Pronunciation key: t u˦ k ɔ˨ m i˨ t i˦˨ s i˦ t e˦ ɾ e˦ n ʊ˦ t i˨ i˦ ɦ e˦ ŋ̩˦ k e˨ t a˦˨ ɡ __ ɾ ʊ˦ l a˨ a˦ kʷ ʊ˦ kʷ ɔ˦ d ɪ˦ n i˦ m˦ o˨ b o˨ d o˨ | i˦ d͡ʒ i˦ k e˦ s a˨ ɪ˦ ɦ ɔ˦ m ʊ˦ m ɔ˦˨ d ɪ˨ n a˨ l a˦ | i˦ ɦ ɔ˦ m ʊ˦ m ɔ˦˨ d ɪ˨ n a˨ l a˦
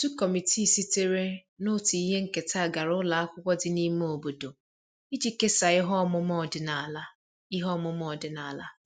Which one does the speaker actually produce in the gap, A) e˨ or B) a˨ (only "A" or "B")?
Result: B